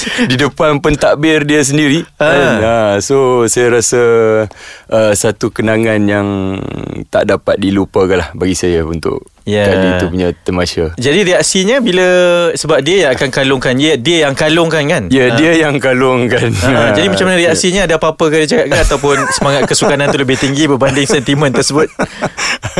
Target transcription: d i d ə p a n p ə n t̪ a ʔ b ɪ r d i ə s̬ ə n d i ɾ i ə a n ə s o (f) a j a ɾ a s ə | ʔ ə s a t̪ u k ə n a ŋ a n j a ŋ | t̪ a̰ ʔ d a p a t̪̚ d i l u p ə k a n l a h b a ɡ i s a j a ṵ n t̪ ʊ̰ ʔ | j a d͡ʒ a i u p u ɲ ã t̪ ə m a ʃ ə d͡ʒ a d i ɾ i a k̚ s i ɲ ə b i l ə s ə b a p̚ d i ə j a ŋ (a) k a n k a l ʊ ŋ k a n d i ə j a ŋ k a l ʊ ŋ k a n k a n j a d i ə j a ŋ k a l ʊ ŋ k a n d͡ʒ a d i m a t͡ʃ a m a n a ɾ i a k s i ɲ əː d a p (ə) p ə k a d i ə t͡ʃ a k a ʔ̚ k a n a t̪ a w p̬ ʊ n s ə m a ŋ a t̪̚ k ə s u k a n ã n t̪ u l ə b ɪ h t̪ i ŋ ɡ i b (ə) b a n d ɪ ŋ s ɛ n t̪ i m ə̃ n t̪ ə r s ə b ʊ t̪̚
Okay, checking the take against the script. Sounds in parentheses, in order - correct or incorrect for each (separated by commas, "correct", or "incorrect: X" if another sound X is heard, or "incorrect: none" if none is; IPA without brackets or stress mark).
incorrect: s, correct, incorrect: a, correct